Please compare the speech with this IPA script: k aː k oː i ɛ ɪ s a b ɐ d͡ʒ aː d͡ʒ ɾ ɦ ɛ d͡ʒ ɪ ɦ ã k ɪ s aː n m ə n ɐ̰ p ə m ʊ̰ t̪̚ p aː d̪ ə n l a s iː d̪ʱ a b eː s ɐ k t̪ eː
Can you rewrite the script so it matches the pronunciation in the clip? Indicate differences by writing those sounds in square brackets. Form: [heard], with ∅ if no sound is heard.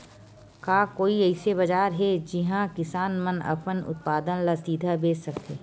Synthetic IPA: k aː k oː i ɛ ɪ s [e] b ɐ d͡ʒ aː [∅] ɾ ɦ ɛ d͡ʒ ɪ ɦ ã k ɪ s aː n m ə n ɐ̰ p ə [n] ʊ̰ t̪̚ p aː d̪ ə n l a s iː d̪ʱ a b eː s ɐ k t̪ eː